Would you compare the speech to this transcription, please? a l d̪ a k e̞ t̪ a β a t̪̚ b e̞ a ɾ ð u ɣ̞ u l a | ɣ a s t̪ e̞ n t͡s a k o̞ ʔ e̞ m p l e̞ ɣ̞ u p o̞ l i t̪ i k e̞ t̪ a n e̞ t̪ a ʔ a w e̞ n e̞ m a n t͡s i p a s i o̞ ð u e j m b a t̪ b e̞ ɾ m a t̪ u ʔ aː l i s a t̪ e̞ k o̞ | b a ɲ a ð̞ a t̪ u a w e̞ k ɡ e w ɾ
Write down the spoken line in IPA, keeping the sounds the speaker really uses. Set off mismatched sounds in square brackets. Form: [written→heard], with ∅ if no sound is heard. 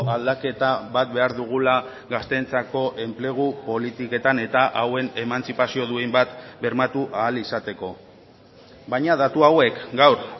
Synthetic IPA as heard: a l d̪ a k e̞ t̪ a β a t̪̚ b e̞ a ɾ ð u ɣ̞ u l a | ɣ a s t̪ e̞ n t͡s a k o̞ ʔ e̞ m p l e̞ ɣ̞ u p o̞ l i t̪ i k e̞ t̪ a n e̞ t̪ a ʔ a w e̞ n e̞ m a n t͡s i p a s i o̞ ð u e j m b a t̪ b e̞ ɾ m a t̪ u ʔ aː l i s a t̪ e̞ k o̞ | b a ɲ a ð̞ a t̪ u a w e̞ k ɡ [e→a] w ɾ